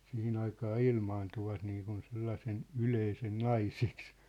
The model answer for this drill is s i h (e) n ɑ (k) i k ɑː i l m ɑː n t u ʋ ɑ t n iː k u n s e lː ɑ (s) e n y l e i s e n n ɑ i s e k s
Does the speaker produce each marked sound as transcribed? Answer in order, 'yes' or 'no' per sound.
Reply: no, no, yes

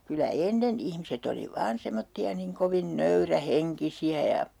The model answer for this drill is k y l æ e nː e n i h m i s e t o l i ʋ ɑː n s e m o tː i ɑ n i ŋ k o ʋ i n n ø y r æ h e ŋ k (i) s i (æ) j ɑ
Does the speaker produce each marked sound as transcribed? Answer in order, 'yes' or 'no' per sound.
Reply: yes, yes

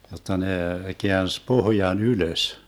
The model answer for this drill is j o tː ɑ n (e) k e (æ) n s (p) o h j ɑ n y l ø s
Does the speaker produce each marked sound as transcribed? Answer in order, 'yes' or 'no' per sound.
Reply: yes, yes, yes

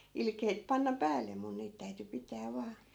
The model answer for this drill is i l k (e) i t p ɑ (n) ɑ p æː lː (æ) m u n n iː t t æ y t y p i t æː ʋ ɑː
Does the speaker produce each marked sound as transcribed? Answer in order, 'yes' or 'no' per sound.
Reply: yes, no, no

